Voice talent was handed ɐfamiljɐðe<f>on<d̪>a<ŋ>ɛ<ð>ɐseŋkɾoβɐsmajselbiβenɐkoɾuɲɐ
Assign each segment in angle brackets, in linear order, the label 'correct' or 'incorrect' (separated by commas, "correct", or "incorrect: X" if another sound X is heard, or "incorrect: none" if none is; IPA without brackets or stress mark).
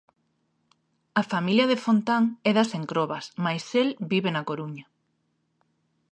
correct, incorrect: t̪, correct, correct